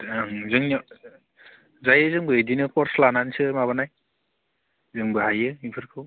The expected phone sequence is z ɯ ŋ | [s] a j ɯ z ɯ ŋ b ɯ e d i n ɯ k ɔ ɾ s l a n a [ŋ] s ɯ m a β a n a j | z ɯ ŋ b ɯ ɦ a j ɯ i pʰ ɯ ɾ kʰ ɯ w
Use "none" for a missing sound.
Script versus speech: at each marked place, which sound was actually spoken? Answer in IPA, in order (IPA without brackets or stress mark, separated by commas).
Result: z, n